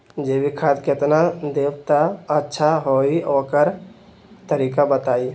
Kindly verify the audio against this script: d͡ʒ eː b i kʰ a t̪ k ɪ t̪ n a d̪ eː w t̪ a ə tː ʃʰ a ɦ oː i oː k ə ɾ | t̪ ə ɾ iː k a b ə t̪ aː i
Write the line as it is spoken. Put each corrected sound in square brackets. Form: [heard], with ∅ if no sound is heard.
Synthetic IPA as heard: d͡ʒ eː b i kʰ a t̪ k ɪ t̪ n a d̪ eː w t̪ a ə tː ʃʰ a ɦ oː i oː k ə ɾ | t̪ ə ɾ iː k a b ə t̪ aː i